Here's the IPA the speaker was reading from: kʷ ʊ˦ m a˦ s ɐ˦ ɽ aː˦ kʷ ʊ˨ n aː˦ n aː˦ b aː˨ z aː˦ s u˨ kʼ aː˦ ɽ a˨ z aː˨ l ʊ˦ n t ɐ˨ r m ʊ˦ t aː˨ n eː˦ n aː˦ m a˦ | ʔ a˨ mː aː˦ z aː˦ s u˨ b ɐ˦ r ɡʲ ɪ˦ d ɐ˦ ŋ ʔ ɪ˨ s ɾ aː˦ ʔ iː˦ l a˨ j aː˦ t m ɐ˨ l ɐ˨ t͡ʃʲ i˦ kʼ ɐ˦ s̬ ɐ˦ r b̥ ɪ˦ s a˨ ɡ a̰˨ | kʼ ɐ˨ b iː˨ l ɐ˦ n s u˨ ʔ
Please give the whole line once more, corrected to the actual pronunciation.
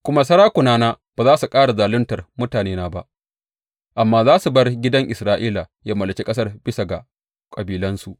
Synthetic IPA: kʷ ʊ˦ m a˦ s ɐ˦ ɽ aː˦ kʷ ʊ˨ n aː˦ n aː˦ b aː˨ z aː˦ s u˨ kʼ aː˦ ɽ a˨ z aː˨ l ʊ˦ n t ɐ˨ r m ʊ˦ t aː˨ n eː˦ n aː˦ b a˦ | ʔ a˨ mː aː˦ z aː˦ s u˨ b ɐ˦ r ɡʲ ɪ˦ d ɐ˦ ŋ ʔ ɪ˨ s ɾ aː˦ ʔ iː˦ l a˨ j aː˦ m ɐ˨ l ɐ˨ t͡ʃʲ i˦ kʼ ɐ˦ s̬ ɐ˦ r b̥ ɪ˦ s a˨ ɡ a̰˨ | kʼ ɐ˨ b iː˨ l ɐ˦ n s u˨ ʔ